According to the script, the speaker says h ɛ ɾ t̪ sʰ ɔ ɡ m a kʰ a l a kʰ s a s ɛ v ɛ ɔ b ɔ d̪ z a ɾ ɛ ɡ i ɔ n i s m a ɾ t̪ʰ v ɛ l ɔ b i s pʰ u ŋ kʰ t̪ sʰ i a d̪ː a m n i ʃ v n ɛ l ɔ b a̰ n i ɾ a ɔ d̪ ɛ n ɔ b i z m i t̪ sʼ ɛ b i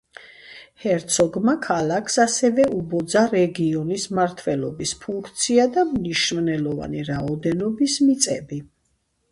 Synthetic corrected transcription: h ɛ ɾ t̪ sʰ ɔ ɡ m a kʰ a l a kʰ s a s ɛ v ɛ u b ɔ d̪ z a ɾ ɛ ɡ i ɔ n i s m a ɾ t̪ʰ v ɛ l ɔ b i s pʰ u ŋ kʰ t̪ sʰ i a d̪ a m n i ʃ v n ɛ l ɔ v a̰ n i ɾ a ɔ d̪ ɛ n ɔ b i s m i t̪ sʼ ɛ b i